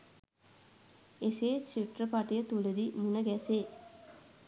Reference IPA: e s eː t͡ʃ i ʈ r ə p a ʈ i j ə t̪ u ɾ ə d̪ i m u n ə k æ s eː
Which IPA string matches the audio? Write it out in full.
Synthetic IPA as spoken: e s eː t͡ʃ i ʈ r ə p a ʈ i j ə t̪ u l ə d̪ i m u n ə ɡ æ s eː